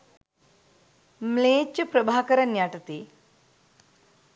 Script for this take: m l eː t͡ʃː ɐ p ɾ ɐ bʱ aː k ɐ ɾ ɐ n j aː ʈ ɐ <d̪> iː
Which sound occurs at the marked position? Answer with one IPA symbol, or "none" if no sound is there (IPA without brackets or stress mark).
t̪